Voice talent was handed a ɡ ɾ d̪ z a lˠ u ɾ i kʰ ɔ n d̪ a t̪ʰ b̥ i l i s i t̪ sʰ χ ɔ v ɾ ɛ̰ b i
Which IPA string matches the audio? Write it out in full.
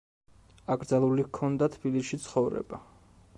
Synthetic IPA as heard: a ɡ ɾ d̪ z a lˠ u l i kʰ ɔ n d̪ a t̪ʰ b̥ i l i ʃ i t̪ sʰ χ ɔ v ɾ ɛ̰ b a

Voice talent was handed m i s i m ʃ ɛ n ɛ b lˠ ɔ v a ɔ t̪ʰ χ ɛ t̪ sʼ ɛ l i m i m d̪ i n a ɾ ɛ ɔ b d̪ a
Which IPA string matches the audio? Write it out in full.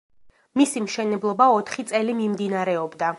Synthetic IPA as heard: m i s i m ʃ ɛ n ɛ b lˠ ɔ b a ɔ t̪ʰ χ i t̪ sʼ ɛ l i m i m d̪ i n a ɾ ɛ ɔ b d̪ a

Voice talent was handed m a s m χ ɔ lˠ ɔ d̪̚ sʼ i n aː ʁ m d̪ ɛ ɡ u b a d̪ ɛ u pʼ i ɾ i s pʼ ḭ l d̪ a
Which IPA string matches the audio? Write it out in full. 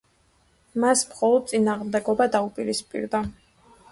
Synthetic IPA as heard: m a s m χ ɔ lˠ ɔ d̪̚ sʼ i n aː ʁ m d̪ ɛ ɡ ɔ b a d̪ a u pʼ i ɾ i s pʼ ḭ ɾ d̪ a

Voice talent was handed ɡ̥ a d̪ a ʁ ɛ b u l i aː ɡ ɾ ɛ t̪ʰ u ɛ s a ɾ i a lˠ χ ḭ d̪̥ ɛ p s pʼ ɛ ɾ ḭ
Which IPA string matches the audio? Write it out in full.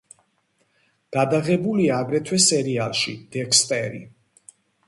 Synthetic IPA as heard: ɡ̥ a d̪ a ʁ ɛ b u l i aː ɡ ɾ ɛ t̪ʰ w ɛ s ɛ ɾ i a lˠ ʃ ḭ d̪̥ ɛ k s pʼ ɛ ɾ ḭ

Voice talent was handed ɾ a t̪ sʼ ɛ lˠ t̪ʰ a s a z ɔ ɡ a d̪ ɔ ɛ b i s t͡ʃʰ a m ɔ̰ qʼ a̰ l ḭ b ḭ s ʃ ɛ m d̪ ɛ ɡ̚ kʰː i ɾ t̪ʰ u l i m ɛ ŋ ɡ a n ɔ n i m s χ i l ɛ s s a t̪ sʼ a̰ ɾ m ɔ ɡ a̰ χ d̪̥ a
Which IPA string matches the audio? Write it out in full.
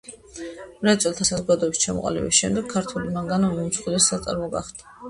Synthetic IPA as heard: ɾ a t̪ sʼ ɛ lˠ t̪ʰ a s a z ɔ ɡ a d̪ ɔ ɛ b i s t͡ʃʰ a m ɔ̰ qʼ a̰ l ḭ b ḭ s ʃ ɛ m d̪ ɛ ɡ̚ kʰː a ɾ t̪ʰ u l i m a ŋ ɡ a n ɔ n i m s χ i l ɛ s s a t̪ sʼ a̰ ɾ m ɔ ɡ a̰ χ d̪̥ a

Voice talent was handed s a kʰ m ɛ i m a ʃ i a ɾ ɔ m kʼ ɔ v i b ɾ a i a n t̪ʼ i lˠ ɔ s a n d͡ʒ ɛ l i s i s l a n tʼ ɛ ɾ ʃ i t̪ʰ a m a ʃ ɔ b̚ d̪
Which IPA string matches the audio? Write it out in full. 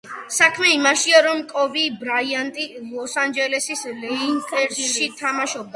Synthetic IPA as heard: s a kʰ m ɛ i m a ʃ i a ɾ ɔ m kʼ ɔ v i b ɾ a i a n t̪ʼ i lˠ ɔ s a n d͡ʒ ɛ l ɛ s i s l ɛ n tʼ ɛ ɾ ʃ i t̪ʰ a m a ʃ ɔ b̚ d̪

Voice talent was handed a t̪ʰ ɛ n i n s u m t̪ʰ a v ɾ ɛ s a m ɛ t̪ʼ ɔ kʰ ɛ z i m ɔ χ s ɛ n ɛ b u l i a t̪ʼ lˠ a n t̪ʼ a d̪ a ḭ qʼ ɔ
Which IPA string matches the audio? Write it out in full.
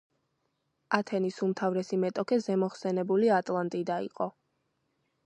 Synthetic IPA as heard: a t̪ʰ ɛ n i s u m t̪ʰ a v ɾ ɛ s i m ɛ t̪ʼ ɔ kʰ ɛ z ɛ m ɔ χ s ɛ n ɛ b u l i a t̪ʼ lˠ a n t̪ʼ i d̪ a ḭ qʼ ɔ

